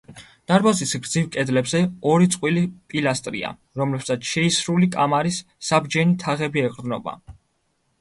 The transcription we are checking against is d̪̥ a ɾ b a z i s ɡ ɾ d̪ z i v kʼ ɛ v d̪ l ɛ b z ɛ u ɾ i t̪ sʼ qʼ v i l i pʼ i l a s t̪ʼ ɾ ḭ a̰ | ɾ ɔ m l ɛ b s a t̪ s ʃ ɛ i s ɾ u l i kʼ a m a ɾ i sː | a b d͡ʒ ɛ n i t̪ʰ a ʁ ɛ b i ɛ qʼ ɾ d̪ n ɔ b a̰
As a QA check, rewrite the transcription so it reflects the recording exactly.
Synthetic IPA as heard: d̪̥ a ɾ b a z i s ɡ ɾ d̪ z i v kʼ ɛ d̪ l ɛ b z ɛ ɔ ɾ i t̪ sʼ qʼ w i l i pʼ i l a s t̪ʼ ɾ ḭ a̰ | ɾ ɔ m l ɛ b s a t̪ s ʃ ɛ i s ɾ u l i kʼ a m a ɾ i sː | a b d͡ʒ ɛ n i t̪ʰ a ʁ ɛ b i ɛ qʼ ɾ d̪ n ɔ b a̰